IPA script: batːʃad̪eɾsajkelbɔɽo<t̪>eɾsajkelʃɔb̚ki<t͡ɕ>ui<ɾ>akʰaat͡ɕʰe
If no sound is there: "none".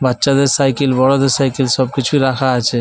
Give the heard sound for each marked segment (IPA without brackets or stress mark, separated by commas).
d̪, t͡ɕʰ, ɾ